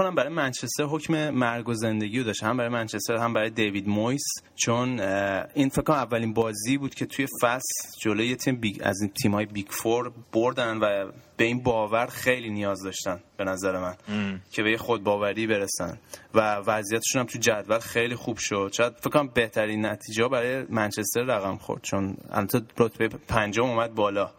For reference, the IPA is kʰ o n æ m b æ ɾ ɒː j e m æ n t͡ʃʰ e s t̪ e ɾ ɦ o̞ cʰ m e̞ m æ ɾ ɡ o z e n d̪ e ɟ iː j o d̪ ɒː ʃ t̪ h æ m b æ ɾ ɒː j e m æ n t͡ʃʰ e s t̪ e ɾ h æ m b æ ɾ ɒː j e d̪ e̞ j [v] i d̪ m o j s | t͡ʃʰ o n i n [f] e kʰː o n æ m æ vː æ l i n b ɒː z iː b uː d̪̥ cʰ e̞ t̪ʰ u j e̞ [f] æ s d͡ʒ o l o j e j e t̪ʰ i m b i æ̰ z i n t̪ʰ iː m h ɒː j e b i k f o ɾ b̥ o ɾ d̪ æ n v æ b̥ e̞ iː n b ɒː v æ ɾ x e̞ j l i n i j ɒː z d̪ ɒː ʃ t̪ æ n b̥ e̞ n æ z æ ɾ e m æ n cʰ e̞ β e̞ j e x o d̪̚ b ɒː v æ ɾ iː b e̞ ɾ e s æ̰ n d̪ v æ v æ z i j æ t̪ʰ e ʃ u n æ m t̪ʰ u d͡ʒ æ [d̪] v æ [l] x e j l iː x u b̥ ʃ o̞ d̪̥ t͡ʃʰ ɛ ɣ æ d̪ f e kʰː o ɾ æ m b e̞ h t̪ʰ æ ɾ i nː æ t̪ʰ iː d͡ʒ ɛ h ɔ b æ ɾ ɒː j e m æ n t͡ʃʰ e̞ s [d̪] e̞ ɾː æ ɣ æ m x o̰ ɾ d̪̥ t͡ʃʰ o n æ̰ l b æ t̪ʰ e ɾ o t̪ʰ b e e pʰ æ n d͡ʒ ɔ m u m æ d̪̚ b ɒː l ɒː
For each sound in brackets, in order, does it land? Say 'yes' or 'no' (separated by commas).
yes, yes, yes, yes, yes, no